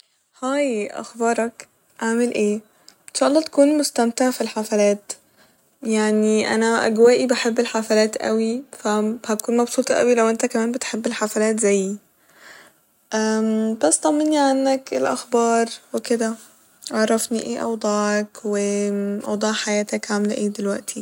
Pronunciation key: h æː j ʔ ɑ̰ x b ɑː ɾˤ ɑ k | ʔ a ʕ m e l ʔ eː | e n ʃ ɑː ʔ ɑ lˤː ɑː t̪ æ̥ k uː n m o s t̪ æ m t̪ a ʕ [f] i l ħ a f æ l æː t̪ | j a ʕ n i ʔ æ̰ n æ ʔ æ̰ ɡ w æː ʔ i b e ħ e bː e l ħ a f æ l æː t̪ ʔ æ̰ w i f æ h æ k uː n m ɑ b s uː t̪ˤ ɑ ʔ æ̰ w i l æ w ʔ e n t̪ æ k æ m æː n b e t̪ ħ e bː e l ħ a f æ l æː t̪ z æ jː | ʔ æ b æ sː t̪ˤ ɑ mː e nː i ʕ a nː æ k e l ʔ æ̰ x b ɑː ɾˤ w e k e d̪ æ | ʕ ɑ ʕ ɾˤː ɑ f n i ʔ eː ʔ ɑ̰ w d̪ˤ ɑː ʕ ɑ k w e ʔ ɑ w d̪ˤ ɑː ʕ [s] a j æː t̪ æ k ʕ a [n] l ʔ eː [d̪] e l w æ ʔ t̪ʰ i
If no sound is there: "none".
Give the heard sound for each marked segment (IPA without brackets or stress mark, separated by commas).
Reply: f, ħ, m, d̪